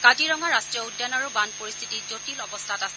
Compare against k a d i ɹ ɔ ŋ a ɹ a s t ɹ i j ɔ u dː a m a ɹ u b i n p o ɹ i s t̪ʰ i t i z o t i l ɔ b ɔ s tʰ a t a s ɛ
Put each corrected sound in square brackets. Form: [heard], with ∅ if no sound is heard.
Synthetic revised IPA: k a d i ɹ ɔ ŋ a ɹ a s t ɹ i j ɔ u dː a [n] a ɹ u b [a] n p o ɹ i s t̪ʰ i t i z o t i l ɔ b ɔ s tʰ a t a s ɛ